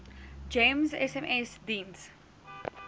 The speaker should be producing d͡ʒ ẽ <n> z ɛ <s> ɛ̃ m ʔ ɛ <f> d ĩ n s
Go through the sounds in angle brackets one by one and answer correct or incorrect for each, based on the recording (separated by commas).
incorrect, correct, incorrect